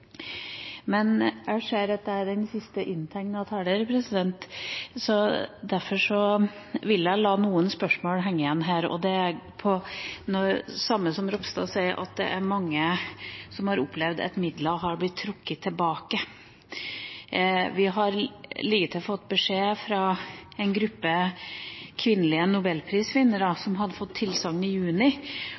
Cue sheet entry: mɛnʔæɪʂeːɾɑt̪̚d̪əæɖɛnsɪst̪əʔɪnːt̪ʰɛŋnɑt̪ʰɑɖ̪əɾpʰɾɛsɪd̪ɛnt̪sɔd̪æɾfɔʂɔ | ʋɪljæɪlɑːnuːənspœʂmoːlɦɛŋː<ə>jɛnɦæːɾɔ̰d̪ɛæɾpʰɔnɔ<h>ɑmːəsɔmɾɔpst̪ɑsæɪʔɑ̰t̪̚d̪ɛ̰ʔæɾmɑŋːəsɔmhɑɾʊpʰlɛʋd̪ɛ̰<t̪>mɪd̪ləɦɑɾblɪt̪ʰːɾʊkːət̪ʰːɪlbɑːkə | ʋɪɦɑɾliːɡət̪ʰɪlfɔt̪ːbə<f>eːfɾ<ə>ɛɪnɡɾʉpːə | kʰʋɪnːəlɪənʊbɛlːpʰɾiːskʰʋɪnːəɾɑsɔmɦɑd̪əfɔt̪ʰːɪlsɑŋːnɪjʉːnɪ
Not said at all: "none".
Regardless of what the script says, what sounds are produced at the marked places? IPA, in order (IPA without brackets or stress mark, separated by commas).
ə, s, t̪, ʂ, ɑ